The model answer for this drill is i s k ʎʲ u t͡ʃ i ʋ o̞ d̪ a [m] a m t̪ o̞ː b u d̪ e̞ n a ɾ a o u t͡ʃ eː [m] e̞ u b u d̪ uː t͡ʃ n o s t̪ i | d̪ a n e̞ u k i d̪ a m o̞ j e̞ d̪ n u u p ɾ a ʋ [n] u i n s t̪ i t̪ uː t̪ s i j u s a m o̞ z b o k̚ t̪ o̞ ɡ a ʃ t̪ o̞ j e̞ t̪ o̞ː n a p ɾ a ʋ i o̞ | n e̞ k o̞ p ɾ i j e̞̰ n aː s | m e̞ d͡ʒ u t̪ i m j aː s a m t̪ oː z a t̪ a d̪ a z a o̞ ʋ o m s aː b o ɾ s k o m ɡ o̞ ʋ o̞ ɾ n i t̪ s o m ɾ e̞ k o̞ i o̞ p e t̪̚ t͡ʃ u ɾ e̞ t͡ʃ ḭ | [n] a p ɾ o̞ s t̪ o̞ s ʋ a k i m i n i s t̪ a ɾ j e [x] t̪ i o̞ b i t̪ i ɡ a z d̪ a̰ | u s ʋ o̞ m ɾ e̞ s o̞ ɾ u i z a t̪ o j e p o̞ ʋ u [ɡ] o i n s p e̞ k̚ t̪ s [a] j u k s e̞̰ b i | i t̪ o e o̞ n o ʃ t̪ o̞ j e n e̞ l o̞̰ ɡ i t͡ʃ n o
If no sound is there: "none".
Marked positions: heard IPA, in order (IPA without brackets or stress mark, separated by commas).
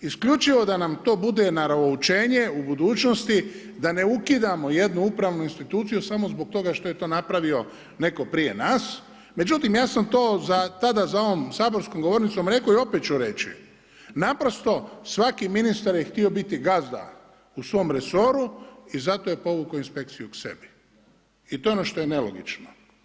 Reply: n, ɲ, n, n, x, k, i